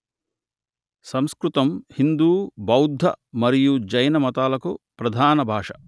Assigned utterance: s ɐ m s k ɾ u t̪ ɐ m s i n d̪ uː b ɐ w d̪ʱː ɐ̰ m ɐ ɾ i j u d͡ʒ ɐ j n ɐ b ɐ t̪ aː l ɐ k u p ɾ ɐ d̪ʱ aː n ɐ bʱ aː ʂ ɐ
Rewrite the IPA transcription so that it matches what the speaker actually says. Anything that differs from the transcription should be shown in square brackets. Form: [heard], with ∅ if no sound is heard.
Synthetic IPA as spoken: s ɐ m s k ɾ u t̪ ɐ m [h] i n d̪ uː b ɐ w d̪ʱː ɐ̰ m ɐ ɾ i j u d͡ʒ ɐ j n ɐ [m] ɐ t̪ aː l ɐ k u p ɾ ɐ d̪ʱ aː n ɐ bʱ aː ʂ ɐ